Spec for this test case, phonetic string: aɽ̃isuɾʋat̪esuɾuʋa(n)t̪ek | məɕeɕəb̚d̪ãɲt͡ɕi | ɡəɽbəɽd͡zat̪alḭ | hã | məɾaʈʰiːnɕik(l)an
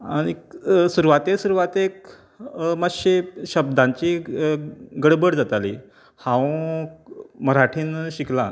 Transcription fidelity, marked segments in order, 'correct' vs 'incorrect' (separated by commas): incorrect, correct